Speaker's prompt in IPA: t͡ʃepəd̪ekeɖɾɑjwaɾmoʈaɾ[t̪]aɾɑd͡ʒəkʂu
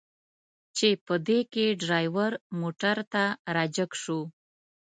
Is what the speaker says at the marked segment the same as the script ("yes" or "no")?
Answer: yes